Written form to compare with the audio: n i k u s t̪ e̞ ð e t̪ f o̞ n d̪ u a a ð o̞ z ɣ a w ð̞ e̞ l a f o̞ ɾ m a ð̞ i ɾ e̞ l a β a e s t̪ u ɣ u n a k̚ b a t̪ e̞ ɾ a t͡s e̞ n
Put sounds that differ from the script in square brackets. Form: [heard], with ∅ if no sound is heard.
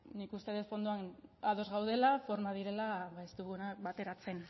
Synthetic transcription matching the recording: n i k u s t̪ e̞ ð e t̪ f o̞ n d̪ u a a ð o̞ z ɣ a w ð̞ e̞ l a f o̞ ɾ m a ð̞ i ɾ e̞ l a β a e s t̪ u ɣ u n a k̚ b a t̪ e̞ ɾ a t͡s e̞ n